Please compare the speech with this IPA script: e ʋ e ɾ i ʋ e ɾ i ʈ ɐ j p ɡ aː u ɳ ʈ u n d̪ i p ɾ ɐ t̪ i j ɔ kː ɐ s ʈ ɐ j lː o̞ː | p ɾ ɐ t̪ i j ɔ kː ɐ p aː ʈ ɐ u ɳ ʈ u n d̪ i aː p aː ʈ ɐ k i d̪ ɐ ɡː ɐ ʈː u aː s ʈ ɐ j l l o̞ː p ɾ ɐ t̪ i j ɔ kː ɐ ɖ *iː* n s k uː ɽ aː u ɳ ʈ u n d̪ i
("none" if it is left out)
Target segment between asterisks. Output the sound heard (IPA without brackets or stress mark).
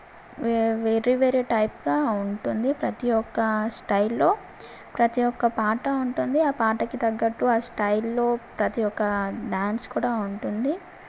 aː